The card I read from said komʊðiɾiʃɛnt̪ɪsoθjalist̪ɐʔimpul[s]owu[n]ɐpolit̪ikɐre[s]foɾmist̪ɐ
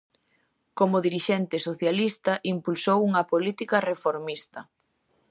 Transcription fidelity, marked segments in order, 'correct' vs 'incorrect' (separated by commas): correct, incorrect, incorrect